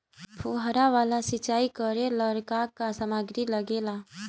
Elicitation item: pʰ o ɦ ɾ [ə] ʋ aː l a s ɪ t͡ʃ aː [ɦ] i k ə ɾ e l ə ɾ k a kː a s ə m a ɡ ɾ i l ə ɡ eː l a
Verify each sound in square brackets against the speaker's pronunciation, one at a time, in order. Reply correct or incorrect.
incorrect, incorrect

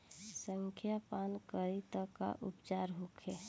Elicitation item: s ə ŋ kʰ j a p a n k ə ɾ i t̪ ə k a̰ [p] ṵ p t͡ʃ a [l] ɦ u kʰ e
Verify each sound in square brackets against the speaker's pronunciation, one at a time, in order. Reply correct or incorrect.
incorrect, incorrect

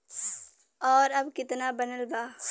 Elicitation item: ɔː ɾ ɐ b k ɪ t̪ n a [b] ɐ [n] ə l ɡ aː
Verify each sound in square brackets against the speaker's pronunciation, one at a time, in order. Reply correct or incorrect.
correct, correct

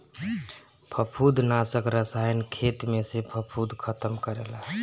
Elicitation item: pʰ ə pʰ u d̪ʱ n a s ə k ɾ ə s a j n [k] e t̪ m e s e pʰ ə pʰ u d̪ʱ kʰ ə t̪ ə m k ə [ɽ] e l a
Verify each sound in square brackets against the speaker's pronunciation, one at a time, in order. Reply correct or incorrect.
incorrect, incorrect

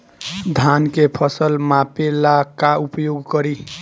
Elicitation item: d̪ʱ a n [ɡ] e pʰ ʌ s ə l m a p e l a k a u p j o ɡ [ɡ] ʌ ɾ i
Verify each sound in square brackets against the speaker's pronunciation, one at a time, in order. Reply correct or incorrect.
incorrect, incorrect

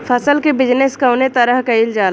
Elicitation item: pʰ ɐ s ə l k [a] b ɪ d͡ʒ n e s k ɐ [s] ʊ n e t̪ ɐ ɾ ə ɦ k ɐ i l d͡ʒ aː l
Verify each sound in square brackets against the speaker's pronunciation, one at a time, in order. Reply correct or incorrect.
incorrect, incorrect

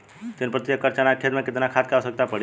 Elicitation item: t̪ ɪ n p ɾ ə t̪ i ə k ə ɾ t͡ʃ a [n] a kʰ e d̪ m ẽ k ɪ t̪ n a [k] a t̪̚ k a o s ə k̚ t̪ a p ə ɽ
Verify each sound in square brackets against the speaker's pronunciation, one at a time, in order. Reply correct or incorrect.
correct, incorrect

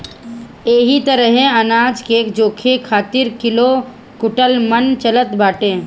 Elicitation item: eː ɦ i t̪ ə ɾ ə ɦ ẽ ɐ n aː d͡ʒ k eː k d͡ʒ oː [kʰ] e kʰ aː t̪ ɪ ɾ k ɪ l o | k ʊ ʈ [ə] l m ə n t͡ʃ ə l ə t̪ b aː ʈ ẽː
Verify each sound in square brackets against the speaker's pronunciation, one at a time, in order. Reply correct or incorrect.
correct, correct

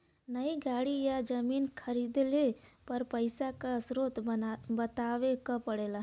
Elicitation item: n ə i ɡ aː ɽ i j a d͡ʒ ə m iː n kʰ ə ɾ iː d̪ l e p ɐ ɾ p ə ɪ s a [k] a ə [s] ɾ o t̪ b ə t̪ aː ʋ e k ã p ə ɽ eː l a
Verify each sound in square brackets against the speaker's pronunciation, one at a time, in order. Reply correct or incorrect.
correct, correct

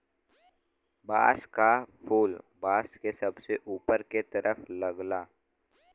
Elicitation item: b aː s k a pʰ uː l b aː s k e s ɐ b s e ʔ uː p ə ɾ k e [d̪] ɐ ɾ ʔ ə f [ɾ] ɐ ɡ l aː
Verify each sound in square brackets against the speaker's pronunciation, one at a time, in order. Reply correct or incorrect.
incorrect, incorrect

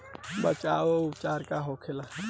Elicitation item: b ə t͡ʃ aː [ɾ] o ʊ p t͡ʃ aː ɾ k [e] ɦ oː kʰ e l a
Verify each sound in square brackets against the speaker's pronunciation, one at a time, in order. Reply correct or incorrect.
incorrect, incorrect

